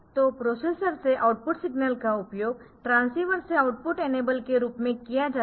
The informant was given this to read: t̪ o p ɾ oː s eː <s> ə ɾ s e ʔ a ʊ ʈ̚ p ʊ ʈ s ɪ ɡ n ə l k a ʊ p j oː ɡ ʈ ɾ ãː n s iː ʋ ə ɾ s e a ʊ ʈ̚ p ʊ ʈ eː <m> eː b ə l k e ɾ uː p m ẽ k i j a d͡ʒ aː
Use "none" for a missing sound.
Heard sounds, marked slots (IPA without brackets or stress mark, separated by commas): s, n